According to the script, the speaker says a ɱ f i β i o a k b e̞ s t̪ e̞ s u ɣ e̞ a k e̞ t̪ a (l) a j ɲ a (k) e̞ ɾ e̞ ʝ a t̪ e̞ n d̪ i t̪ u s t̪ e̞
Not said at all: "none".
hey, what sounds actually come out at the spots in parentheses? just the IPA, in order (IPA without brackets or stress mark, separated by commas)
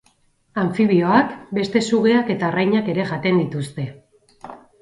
r, k